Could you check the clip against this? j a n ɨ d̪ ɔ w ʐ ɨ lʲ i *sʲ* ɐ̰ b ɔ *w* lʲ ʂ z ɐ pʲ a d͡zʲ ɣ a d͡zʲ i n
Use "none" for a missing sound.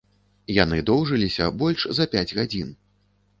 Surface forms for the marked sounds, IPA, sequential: sʲ, none

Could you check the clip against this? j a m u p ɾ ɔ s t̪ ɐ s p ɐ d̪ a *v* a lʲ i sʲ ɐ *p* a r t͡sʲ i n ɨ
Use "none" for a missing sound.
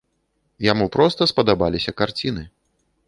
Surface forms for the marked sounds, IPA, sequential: b, k

